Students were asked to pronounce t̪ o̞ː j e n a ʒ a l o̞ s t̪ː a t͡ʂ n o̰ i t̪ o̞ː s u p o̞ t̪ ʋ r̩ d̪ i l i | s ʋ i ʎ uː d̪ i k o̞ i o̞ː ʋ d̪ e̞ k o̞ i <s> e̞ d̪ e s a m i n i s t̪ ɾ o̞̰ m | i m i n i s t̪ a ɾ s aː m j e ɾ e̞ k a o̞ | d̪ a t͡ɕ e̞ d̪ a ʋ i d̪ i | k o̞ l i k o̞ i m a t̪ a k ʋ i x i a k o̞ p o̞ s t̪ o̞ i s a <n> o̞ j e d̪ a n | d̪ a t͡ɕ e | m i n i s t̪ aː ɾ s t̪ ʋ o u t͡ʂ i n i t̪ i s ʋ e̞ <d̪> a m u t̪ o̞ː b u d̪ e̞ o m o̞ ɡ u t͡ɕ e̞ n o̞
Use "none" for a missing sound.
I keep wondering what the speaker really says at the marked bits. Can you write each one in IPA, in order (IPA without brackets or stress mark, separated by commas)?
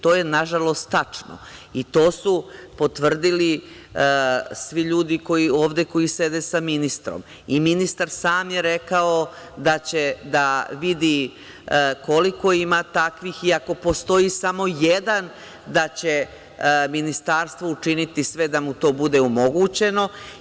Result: s, m, d̪